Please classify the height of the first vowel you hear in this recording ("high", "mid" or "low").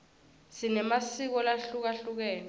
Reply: high